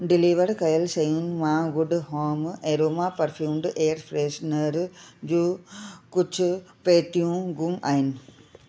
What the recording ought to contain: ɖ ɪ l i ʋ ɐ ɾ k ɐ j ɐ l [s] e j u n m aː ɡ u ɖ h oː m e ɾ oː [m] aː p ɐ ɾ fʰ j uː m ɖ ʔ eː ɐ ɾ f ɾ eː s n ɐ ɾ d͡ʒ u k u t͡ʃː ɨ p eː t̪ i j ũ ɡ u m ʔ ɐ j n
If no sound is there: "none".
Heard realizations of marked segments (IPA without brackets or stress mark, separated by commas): s, m